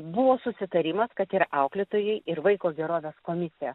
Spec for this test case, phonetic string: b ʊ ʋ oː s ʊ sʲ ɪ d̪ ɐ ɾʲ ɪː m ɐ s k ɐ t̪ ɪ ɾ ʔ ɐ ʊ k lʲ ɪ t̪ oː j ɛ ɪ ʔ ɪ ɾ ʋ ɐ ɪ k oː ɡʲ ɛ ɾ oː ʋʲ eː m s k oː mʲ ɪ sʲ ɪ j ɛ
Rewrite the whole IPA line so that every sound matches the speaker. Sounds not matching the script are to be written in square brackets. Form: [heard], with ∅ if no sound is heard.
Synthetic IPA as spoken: b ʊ ʋ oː s ʊ sʲ ɪ [t̪] ɐ ɾʲ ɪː m ɐ s k ɐ t̪ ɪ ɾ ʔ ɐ ʊ k lʲ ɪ t̪ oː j ɛ ɪ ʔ ɪ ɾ ʋ ɐ ɪ k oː ɡʲ ɛ ɾ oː ʋʲ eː [∅] s k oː mʲ ɪ sʲ ɪ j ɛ

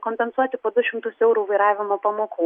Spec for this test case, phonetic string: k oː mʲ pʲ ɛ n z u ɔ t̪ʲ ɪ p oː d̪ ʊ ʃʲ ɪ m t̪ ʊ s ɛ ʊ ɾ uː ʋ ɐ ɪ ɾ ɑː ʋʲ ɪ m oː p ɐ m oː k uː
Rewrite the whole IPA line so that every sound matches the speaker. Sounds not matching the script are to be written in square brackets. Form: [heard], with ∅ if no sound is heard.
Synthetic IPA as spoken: k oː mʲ pʲ ɛ n [s] u ɔ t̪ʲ ɪ p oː d̪ ʊ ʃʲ ɪ m t̪ ʊ s ɛ ʊ ɾ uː ʋ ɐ ɪ ɾ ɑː ʋʲ ɪ m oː p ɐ m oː k uː

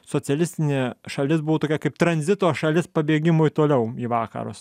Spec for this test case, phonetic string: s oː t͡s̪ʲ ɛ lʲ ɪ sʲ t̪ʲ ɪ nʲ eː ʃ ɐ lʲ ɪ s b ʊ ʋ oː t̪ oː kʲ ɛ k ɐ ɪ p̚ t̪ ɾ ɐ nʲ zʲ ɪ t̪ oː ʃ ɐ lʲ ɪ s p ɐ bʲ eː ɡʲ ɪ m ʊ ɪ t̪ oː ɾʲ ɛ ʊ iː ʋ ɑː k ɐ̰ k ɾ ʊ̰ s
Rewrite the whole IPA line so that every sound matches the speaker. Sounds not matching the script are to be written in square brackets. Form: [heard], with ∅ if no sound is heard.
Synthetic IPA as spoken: s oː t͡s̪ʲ ɛ lʲ ɪ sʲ t̪ʲ ɪ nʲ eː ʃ ɐ lʲ ɪ s b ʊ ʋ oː t̪ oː kʲ ɛ k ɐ ɪ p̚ t̪ ɾ ɐ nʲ zʲ ɪ t̪ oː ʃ ɐ lʲ ɪ s p ɐ bʲ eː ɡʲ ɪ m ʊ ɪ t̪ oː [lʲ] ɛ ʊ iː ʋ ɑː k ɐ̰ [∅] ɾ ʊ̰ s

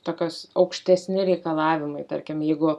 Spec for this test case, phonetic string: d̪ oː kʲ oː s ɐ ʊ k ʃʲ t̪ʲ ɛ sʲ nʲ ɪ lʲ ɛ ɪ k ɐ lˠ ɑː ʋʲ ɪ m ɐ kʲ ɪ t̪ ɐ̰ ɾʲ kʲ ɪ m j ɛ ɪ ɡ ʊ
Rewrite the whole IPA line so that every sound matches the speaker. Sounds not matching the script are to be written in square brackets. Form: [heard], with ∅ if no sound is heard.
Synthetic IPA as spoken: [t̪] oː kʲ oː s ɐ ʊ k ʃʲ t̪ʲ ɛ sʲ nʲ ɪ [ɾʲ] ɛ ɪ k ɐ lˠ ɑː ʋʲ ɪ m ɐ [∅] ɪ t̪ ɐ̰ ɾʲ kʲ ɪ m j ɛ ɪ ɡ ʊ

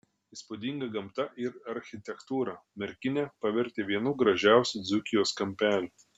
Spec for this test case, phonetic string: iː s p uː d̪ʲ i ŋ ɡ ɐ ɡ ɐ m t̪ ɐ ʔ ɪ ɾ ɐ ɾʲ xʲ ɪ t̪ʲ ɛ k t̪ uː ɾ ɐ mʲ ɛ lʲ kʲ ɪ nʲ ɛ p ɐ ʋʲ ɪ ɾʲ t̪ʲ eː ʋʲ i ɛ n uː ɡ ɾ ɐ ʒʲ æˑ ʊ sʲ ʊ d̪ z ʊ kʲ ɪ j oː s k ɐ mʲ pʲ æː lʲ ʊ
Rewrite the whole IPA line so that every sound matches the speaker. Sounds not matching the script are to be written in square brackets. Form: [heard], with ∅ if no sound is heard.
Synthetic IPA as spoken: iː s p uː d̪ʲ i ŋ ɡ ɐ ɡ ɐ m t̪ ɐ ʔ ɪ ɾ ɐ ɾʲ xʲ ɪ t̪ʲ ɛ k t̪ uː ɾ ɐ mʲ ɛ [ɾʲ] kʲ ɪ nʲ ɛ p ɐ ʋʲ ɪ ɾʲ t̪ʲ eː ʋʲ i ɛ n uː ɡ ɾ ɐ ʒʲ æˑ ʊ sʲ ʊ d̪ z ʊ kʲ ɪ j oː s k ɐ mʲ pʲ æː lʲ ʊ

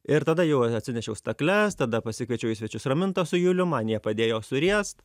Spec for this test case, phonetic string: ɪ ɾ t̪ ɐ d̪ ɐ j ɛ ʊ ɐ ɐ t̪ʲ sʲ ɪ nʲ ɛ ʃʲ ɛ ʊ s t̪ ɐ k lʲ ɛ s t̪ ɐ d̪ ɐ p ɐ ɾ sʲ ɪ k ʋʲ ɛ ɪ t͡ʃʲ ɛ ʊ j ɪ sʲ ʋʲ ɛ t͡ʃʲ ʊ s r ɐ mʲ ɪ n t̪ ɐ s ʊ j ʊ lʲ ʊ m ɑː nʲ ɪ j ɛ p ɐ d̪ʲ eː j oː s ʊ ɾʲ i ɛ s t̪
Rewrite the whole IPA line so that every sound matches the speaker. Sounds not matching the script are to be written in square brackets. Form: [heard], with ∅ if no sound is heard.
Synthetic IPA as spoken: ɪ ɾ t̪ ɐ d̪ ɐ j ɛ ʊ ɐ ɐ t̪ʲ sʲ ɪ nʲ ɛ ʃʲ ɛ ʊ s t̪ ɐ k lʲ ɛ s t̪ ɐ d̪ ɐ p ɐ [∅] sʲ ɪ k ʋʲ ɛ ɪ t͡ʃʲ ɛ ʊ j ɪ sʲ ʋʲ ɛ t͡ʃʲ ʊ s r ɐ mʲ ɪ n t̪ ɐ s ʊ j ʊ lʲ ʊ m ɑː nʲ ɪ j ɛ p ɐ d̪ʲ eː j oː s ʊ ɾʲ i ɛ s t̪

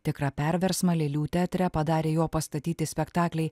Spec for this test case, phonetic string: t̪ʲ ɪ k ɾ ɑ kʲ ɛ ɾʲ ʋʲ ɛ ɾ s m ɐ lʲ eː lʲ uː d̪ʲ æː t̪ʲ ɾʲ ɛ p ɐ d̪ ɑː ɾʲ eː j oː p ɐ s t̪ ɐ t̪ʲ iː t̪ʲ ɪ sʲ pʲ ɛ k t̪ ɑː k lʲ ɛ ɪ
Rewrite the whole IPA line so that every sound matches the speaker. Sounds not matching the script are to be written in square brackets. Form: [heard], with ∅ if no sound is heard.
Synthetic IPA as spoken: t̪ʲ ɪ k ɾ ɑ [pʲ] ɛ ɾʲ ʋʲ ɛ ɾ s m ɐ lʲ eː lʲ uː [t̪ʲ] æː t̪ʲ ɾʲ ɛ p ɐ d̪ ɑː ɾʲ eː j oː p ɐ s t̪ ɐ t̪ʲ iː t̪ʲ ɪ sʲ pʲ ɛ k t̪ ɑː k lʲ ɛ ɪ

